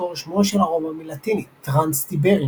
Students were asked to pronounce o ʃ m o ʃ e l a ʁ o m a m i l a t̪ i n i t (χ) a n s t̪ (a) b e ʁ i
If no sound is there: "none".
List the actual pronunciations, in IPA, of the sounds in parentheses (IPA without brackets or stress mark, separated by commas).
ʁ, i